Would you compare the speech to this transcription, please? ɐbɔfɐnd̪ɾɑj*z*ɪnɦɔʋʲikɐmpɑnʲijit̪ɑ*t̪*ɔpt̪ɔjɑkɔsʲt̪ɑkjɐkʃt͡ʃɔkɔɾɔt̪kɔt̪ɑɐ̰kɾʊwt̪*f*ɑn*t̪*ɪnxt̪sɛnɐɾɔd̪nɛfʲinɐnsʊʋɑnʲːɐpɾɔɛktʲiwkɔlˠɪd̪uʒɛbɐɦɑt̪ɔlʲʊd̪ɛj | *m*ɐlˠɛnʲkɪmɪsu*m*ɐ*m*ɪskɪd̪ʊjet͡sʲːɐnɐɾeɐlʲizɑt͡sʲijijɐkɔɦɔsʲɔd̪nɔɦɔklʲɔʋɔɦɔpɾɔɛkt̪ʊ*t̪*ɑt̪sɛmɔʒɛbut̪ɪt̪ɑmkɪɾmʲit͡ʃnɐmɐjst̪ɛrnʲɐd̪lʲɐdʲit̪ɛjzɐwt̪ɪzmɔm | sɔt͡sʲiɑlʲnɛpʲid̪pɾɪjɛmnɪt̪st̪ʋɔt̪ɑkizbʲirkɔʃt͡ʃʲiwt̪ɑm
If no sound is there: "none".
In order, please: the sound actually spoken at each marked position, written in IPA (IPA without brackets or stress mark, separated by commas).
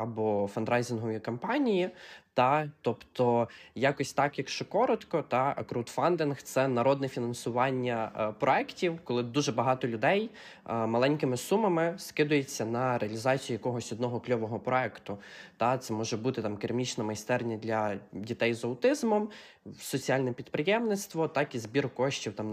z, t̪, f, d̪, m, m, m, t̪